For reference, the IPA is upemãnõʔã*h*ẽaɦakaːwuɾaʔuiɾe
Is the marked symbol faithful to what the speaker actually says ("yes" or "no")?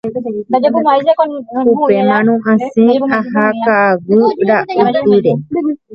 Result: no